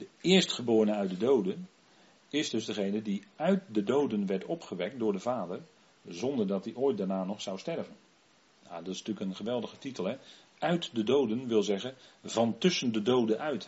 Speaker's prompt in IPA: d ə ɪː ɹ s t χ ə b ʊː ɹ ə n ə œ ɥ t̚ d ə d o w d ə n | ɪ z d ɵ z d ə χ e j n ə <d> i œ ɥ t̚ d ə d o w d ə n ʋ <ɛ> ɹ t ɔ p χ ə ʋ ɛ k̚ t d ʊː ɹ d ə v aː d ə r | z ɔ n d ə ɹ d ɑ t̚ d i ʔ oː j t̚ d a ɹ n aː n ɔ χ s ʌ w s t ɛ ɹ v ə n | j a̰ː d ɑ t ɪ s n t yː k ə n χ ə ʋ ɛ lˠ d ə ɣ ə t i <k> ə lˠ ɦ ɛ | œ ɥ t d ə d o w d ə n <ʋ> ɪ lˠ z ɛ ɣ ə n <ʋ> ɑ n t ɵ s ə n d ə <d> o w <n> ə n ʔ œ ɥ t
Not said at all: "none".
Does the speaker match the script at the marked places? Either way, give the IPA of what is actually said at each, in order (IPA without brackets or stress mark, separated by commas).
d, ɛ, t, ʋ, v, d, d